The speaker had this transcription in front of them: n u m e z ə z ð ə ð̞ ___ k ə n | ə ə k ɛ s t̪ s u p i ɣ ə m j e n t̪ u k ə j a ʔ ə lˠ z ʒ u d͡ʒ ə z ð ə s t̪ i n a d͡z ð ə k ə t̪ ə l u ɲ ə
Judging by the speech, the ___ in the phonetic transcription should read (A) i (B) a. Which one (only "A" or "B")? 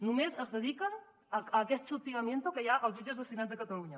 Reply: A